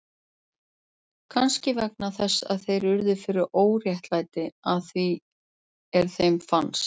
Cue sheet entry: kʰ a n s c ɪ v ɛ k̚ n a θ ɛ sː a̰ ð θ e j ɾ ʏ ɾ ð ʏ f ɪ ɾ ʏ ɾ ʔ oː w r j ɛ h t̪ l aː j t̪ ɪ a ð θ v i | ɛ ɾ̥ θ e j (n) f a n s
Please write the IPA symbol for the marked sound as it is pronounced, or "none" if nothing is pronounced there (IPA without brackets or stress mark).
m